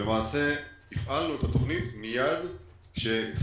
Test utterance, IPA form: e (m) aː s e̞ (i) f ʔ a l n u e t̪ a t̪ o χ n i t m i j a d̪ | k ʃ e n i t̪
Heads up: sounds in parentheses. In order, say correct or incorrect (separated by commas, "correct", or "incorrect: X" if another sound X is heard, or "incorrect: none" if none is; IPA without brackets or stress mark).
correct, correct